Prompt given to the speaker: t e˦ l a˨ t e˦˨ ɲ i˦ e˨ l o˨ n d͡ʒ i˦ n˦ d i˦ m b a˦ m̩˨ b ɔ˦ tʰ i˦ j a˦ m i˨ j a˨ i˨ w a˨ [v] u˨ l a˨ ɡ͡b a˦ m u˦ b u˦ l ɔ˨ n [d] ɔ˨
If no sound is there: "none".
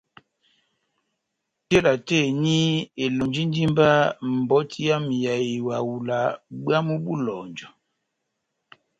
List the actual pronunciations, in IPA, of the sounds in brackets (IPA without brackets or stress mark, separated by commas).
w, d͡ʒ